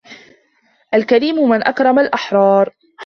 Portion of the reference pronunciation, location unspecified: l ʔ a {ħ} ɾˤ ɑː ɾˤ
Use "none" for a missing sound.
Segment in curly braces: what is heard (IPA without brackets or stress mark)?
ħ